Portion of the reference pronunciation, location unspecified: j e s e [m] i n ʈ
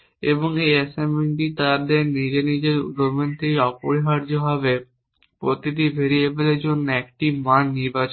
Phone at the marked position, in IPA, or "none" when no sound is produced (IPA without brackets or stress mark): m